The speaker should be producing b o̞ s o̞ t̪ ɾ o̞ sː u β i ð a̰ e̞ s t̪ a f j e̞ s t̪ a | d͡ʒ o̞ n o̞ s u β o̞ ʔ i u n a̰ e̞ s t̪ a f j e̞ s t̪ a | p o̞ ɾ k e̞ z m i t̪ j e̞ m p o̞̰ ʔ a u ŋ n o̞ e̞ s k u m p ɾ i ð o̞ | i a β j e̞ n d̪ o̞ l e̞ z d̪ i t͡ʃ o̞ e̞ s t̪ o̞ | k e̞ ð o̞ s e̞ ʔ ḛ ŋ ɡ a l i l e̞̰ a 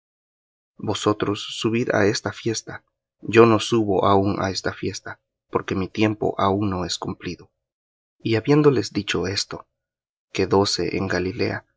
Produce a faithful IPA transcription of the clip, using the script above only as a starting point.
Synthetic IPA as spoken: b o̞ s o̞ t̪ ɾ o̞ sː u β i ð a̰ e̞ s t̪ a f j e̞ s t̪ a | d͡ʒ o̞ n o̞ s u β o̞ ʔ a u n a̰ e̞ s t̪ a f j e̞ s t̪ a | p o̞ ɾ k e̞ m i t̪ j e̞ m p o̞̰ ʔ a u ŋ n o̞ e̞ s k u m p l i ð o̞ | i a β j e̞ n d̪ o̞ l e̞ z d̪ i t͡ʃ o̞ e̞ s t̪ o̞ | k e̞ ð o̞ s e̞ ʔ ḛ ŋ ɡ a l i l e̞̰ a